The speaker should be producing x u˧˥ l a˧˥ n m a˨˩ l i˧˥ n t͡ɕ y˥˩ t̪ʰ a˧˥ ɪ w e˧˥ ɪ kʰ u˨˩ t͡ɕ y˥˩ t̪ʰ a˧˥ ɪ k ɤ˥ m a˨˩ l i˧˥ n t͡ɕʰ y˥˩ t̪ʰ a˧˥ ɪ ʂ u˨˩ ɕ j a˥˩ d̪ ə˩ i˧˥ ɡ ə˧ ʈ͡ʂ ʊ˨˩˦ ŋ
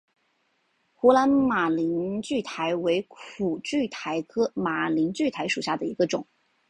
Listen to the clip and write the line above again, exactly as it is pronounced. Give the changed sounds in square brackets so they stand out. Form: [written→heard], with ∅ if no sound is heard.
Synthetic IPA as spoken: x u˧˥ l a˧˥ n m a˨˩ l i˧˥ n t͡ɕ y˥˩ t̪ʰ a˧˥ ɪ w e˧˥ ɪ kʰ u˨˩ t͡ɕ y˥˩ t̪ʰ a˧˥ ɪ [k→kʰ] ɤ˥ m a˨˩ l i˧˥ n [t͡ɕʰ→t͡ɕ] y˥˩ t̪ʰ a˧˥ ɪ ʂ u˨˩ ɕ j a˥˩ d̪ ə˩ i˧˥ ɡ ə˧ ʈ͡ʂ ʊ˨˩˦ ŋ